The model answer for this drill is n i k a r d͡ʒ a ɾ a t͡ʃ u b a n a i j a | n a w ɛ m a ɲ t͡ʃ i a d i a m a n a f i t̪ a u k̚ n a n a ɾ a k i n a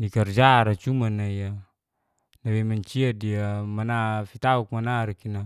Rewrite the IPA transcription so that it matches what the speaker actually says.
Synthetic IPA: n i k a r d͡ʒ a ɾ a t͡ʃ u m a n a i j a | n a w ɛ m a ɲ t͡ʃ i a d i a m a n a f i t̪ a u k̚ m a n a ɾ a k i n a

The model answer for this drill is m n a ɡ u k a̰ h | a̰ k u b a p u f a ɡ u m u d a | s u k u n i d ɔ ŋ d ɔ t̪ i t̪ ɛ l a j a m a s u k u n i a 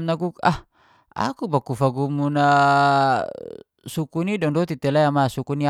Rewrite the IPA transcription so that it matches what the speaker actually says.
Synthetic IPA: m n a ɡ u k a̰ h | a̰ k u b a k u f a ɡ u m u n a | s u k u n i d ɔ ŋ d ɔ t̪ i t̪ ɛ l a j a m a s u k u n i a

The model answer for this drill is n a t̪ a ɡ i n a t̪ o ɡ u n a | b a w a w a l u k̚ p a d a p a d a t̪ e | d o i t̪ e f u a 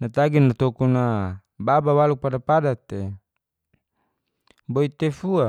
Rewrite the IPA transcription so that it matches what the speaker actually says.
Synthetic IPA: n a t̪ a ɡ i n a t̪ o k u n a | b a b a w a l u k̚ p a d a p a d a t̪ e | b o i t̪ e f u a

